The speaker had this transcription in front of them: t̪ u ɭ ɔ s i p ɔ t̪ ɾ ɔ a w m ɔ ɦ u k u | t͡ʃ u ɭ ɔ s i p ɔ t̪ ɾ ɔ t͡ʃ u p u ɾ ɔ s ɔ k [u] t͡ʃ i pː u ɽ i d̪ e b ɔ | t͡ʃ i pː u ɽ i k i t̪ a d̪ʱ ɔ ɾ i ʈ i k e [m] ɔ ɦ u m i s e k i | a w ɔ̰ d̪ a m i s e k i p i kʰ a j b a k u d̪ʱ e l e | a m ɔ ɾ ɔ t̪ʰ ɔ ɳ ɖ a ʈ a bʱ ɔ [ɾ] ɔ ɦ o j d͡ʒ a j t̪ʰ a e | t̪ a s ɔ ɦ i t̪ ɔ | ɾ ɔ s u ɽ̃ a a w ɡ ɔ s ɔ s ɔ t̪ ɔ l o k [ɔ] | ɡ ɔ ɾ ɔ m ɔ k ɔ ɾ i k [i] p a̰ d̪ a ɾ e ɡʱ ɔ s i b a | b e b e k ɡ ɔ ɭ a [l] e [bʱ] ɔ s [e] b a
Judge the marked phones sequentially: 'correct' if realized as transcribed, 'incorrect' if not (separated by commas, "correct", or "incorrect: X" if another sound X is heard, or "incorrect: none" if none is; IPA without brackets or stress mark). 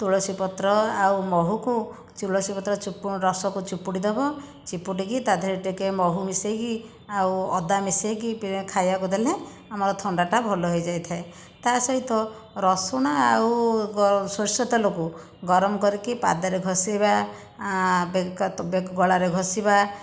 correct, correct, incorrect: l, incorrect: u, correct, incorrect: ɾ, incorrect: ɡʱ, incorrect: i